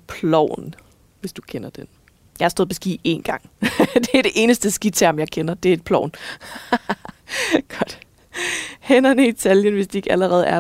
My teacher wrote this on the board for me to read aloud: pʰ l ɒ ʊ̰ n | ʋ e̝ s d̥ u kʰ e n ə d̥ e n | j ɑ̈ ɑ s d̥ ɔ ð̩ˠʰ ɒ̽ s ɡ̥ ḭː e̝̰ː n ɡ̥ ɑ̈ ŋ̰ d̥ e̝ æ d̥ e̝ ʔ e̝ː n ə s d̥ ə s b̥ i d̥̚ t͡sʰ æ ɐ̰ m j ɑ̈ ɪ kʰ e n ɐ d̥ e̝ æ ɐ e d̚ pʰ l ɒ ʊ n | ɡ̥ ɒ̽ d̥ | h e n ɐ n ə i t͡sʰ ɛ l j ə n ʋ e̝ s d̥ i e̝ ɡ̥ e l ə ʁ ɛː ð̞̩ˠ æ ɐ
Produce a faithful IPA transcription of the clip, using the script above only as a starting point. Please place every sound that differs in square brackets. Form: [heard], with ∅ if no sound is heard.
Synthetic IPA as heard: pʰ l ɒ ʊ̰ n | ʋ e̝ s d̥ u kʰ e n [ɐ] d̥ e n | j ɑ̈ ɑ s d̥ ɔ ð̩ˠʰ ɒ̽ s ɡ̥ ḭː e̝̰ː n ɡ̥ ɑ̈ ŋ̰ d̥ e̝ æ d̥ e̝ ʔ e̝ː n ə s d̥ ə s [ɡ̥] i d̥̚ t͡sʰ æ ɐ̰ m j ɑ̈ ɪ kʰ e n ɐ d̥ e̝ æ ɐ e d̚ pʰ l ɒ ʊ n | ɡ̥ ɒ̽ d̥ | h e n ɐ n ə i t͡sʰ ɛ l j ə n ʋ e̝ s d̥ i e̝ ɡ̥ [æ] l ə ʁ ɛː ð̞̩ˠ æ ɐ